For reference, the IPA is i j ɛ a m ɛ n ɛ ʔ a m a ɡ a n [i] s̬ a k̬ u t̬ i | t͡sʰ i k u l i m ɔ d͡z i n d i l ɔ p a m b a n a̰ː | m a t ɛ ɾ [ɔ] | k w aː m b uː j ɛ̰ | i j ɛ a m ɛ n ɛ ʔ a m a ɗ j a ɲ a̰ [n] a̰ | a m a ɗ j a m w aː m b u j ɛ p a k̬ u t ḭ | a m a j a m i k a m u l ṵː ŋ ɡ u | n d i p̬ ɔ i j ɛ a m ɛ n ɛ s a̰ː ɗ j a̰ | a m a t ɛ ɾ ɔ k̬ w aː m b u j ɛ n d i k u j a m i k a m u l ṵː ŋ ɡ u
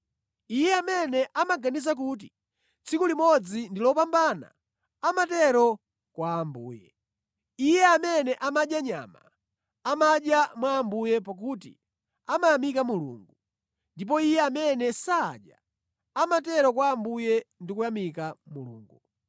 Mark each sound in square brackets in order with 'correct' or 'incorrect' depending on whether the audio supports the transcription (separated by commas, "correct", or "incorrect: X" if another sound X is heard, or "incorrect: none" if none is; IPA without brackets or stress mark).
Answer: correct, correct, incorrect: m